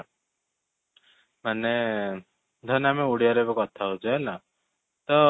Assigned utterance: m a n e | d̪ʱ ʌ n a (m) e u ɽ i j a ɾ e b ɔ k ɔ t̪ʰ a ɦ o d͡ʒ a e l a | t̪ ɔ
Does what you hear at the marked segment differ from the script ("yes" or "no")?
no